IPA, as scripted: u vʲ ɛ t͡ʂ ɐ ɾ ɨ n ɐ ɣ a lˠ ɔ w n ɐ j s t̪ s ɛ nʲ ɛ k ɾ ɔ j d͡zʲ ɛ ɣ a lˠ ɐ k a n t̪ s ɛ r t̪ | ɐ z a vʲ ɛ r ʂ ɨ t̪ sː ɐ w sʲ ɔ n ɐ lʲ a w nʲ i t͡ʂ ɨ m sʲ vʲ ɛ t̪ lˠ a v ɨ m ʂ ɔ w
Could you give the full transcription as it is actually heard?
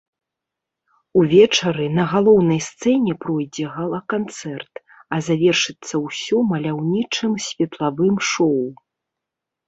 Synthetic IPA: u vʲ ɛ t͡ʂ ɐ ɾ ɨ n ɐ ɣ a lˠ ɔ w n ɐ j s t̪ s ɛ nʲ ɛ p ɾ ɔ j d͡zʲ ɛ ɣ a lˠ ɐ k a n t̪ s ɛ r t̪ | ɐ z a vʲ ɛ r ʂ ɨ t̪ sː ɐ w sʲ ɔ m ɐ lʲ a w nʲ i t͡ʂ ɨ m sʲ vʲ ɛ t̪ lˠ a v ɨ m ʂ ɔ w